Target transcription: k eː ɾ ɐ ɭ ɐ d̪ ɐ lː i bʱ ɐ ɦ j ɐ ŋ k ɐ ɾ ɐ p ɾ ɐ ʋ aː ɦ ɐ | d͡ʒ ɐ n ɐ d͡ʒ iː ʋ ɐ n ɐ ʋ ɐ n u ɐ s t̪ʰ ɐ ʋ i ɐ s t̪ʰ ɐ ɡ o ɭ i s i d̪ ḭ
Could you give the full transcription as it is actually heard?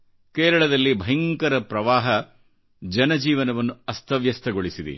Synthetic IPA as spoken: k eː ɾ ɐ ɭ ɐ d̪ ɐ lː i bʱ ɐ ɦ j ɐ ŋ k ɐ ɾ ɐ p ɾ ɐ ʋ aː ɦ ɐ | d͡ʒ ɐ n ɐ d͡ʒ iː ʋ ɐ n ɐ ʋ ɐ nː u ɐ s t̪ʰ ɐ ʋ j ɐ s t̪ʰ ɐ ɡ o ɭ i s i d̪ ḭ